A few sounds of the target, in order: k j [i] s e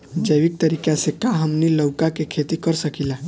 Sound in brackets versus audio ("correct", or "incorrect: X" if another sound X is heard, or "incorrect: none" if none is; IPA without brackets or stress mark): incorrect: a